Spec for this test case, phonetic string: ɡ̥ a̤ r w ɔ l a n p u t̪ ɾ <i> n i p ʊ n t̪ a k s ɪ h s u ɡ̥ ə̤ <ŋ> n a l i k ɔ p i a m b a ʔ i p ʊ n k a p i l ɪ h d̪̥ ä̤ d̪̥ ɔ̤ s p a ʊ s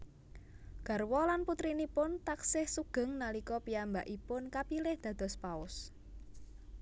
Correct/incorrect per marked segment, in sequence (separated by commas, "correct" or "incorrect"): correct, correct